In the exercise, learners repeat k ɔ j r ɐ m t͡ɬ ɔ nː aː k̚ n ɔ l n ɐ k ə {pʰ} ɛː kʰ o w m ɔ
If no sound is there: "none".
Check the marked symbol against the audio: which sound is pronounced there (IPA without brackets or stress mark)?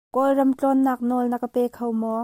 p